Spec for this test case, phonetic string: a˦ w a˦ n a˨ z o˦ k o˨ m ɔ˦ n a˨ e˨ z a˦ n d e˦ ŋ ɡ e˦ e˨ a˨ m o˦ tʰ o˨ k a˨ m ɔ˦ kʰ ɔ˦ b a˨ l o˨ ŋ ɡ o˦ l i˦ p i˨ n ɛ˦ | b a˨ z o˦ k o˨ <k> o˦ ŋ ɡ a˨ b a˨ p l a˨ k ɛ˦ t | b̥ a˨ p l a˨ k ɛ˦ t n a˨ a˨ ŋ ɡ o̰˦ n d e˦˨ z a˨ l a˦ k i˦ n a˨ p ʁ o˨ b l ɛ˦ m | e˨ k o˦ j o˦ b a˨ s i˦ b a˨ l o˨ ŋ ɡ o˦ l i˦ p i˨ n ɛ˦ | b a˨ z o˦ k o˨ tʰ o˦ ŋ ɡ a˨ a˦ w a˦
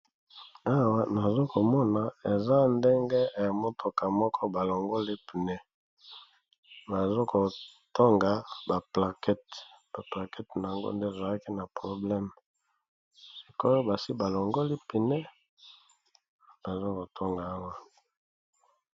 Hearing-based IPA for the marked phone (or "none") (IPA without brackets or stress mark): t